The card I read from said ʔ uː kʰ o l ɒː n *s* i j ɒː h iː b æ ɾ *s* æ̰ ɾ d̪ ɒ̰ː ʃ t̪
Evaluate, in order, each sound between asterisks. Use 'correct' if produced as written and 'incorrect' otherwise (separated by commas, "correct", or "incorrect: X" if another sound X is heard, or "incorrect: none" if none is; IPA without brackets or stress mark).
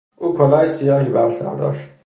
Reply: correct, correct